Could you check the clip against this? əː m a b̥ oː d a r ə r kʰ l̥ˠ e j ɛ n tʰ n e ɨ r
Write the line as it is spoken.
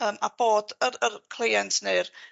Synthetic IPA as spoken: əː m a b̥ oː d ə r ə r kʰ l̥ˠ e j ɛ n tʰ n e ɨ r